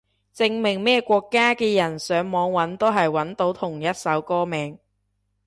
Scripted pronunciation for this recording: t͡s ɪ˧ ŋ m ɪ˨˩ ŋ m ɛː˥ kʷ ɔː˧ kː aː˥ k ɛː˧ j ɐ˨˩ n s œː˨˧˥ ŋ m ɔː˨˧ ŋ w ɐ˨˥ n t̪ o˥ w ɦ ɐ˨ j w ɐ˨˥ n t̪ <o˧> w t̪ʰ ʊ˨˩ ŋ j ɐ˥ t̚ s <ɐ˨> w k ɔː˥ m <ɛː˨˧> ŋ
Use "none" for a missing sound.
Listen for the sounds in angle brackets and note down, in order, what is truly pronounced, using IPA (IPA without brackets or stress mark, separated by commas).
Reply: o˨˥, ɐ˨˥, ɛː˨˧